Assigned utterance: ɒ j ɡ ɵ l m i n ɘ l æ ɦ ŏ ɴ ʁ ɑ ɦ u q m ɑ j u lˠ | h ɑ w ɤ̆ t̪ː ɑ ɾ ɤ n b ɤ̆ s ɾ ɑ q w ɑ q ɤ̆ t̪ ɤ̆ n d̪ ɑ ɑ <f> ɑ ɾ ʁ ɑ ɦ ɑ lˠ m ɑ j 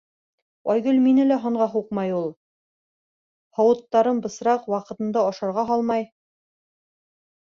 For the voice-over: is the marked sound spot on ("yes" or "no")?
no